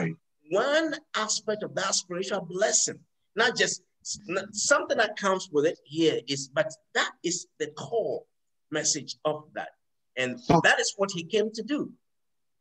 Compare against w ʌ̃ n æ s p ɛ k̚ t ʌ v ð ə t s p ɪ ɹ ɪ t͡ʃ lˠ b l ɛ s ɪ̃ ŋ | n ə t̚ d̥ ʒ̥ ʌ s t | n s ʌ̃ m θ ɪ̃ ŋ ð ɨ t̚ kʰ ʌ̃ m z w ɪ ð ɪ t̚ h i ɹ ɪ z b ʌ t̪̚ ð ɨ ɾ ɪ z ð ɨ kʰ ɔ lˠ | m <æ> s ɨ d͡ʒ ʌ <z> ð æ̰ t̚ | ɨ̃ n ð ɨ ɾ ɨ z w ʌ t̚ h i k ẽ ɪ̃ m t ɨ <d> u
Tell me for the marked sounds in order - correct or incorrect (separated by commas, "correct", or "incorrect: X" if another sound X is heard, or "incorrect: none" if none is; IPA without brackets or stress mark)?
incorrect: ɛ, incorrect: v, correct